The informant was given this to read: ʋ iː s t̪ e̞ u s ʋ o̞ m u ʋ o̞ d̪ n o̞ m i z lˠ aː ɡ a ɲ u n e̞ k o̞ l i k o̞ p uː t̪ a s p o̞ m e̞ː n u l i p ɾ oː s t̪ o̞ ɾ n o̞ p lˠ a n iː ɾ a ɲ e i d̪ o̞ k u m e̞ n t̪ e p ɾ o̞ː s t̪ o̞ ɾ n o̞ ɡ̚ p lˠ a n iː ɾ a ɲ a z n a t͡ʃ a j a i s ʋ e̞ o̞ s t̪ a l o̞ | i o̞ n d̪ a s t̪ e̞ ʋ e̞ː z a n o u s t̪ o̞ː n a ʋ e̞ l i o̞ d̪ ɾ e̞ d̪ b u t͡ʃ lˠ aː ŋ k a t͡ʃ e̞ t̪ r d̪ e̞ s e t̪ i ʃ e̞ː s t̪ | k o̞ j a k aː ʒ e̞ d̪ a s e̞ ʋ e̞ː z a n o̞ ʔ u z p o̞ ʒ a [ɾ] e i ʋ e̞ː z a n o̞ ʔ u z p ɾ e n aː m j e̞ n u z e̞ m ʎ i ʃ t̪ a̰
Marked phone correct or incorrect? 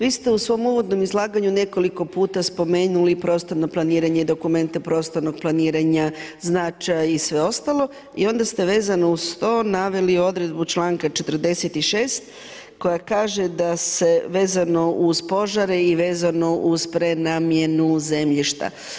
correct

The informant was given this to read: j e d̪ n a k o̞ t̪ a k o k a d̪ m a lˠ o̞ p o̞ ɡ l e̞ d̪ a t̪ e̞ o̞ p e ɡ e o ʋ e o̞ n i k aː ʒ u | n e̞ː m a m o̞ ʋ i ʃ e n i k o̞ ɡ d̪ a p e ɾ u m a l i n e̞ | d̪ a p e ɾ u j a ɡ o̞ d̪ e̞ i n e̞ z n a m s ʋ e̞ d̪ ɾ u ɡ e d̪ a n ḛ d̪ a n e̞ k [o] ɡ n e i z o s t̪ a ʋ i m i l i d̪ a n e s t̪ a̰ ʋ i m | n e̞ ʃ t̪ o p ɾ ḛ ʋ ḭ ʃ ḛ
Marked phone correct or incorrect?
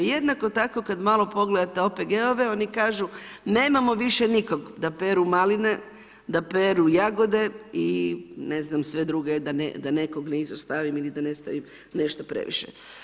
correct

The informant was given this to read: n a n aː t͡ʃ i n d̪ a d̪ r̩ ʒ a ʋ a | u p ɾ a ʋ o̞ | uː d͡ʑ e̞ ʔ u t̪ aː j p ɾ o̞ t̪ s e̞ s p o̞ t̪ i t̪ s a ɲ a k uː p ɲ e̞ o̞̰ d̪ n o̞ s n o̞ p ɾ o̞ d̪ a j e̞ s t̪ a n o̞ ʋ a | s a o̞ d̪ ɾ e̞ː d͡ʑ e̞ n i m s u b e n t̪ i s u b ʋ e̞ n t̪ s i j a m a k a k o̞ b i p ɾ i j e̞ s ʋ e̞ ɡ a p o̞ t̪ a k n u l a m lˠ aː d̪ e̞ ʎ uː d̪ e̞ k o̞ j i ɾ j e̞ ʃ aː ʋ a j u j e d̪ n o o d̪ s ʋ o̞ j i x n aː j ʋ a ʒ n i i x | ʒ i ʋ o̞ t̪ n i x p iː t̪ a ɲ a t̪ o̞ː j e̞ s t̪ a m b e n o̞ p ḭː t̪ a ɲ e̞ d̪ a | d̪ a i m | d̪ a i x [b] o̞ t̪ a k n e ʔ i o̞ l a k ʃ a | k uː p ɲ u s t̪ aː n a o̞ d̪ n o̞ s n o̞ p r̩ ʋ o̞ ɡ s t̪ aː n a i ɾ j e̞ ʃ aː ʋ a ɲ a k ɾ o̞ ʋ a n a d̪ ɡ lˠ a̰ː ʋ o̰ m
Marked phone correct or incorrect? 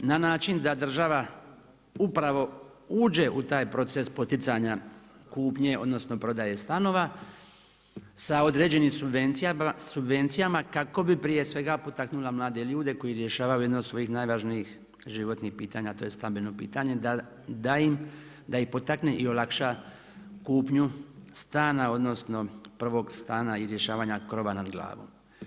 incorrect: p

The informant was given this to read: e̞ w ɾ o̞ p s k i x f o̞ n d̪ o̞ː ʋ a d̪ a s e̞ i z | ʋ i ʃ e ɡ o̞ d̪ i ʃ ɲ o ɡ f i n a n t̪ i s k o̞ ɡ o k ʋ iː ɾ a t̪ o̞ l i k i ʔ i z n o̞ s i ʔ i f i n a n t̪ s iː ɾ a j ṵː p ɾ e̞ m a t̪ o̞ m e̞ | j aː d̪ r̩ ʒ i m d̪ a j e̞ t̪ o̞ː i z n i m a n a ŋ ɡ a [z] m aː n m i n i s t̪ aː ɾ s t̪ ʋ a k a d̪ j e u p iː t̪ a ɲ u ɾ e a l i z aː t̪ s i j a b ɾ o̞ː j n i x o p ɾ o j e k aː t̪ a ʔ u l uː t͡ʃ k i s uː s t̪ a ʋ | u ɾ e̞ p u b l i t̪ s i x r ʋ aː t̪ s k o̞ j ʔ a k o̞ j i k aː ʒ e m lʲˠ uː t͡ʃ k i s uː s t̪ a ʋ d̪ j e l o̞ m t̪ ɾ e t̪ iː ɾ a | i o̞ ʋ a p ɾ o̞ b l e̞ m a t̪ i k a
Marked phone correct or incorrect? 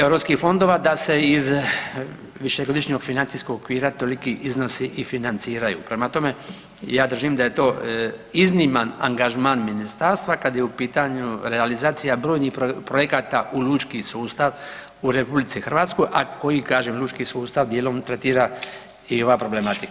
incorrect: ʒ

